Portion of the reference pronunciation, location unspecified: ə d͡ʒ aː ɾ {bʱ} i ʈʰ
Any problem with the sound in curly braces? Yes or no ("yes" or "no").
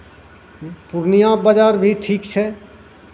no